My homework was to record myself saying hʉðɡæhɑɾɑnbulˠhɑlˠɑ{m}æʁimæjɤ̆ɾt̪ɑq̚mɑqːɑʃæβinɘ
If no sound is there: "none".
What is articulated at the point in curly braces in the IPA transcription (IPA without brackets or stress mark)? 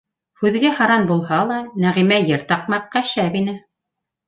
n